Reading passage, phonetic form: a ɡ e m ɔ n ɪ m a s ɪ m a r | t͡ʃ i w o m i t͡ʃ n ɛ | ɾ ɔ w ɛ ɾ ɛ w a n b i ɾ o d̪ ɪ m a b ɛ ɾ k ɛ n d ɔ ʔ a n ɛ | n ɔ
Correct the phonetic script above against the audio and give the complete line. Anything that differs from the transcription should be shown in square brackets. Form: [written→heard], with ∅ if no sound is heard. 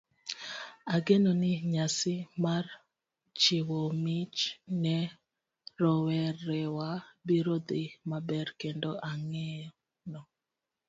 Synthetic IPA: a ɡ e [m→n] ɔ n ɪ [m→ɲ] a s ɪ m a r | t͡ʃ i w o m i t͡ʃ n ɛ | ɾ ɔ w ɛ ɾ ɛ w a [n→∅] b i ɾ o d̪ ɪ m a b ɛ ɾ k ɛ n d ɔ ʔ a [n→ŋ] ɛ | n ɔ